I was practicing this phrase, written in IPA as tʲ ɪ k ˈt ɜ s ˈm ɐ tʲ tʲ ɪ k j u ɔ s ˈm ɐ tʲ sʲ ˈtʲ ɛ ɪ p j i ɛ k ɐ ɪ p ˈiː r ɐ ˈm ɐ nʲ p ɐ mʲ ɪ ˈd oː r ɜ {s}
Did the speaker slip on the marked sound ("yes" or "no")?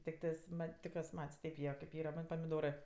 yes